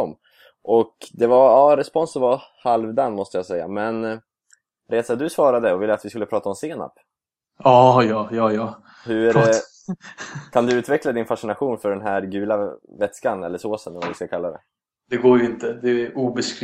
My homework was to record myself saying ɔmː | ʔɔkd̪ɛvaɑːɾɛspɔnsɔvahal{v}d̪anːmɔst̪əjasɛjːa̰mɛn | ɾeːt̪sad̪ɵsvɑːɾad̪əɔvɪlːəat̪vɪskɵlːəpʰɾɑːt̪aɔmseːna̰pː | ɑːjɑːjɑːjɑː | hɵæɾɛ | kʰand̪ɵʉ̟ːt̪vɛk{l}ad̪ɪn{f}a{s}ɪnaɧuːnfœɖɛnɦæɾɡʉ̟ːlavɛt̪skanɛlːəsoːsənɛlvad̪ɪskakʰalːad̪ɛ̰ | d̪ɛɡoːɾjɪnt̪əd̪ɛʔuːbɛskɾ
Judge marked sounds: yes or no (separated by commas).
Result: yes, yes, yes, no